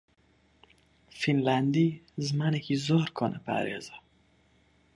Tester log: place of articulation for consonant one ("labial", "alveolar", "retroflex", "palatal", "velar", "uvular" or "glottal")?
labial